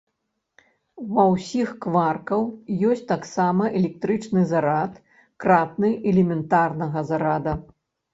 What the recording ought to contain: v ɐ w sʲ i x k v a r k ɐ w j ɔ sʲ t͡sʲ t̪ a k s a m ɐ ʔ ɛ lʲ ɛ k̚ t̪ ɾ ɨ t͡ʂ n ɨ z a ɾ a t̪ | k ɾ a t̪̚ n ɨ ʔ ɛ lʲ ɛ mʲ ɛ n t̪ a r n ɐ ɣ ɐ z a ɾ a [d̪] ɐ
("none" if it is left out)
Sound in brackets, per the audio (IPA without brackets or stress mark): d̪